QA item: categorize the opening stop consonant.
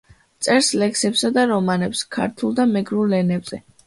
plain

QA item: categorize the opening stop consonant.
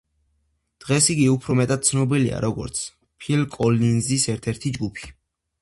plain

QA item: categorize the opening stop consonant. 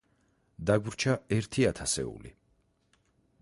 plain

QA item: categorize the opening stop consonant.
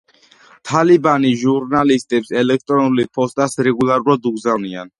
aspirated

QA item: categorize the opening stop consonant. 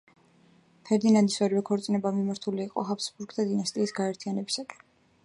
aspirated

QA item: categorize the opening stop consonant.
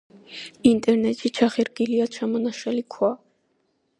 ejective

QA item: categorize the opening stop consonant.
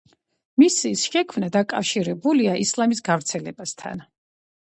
aspirated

